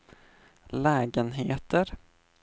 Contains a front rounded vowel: no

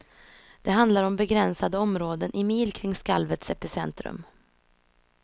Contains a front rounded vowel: no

